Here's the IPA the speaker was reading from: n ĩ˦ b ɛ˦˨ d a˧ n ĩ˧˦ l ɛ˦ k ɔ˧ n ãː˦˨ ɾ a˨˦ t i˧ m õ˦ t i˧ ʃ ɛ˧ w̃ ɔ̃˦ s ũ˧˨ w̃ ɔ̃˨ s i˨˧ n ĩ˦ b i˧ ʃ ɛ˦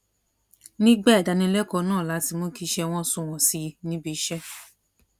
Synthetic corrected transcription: n ĩ˦ ɡ͡b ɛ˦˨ d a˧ n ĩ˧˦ l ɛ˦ k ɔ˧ n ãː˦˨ l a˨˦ t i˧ m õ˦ k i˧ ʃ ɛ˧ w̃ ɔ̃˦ s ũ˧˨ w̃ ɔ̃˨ s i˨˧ n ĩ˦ b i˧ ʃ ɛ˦